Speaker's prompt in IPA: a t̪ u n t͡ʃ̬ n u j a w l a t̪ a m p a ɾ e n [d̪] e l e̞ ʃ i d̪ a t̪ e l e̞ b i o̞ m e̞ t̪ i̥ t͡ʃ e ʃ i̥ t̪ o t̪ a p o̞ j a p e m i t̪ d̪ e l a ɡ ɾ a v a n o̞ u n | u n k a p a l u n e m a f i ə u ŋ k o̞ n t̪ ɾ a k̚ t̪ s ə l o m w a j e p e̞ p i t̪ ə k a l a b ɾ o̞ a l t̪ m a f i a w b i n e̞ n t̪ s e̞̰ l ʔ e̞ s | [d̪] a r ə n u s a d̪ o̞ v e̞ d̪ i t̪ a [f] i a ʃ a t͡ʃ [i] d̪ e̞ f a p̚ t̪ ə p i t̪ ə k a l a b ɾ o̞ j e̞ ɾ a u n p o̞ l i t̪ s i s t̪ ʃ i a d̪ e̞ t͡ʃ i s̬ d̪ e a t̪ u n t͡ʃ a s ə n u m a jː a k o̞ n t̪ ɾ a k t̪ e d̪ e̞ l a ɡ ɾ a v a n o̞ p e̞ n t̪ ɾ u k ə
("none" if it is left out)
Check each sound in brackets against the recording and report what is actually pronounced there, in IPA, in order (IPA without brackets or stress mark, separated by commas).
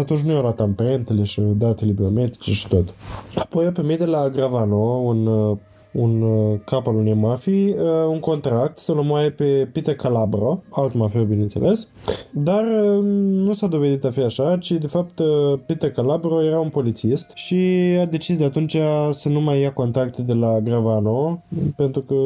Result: t̪, d̪, f, i